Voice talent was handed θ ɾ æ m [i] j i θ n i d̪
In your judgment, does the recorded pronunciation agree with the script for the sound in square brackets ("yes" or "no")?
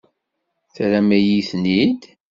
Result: no